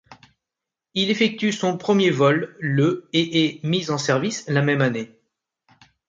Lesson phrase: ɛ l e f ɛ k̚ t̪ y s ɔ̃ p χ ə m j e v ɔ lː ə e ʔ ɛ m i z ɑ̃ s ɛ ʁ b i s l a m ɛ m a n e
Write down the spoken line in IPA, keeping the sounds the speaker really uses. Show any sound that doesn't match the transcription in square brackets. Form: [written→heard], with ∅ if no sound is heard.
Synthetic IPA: [ɛ→i] l e f ɛ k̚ t̪ y s ɔ̃ p χ ə m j e v ɔ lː ə e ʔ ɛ m i z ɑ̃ s ɛ ʁ [b→v] i s l a m ɛ m a n e